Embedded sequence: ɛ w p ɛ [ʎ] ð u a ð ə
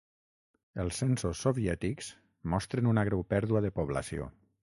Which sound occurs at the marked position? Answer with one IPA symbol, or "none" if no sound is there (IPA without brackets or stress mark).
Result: ɾ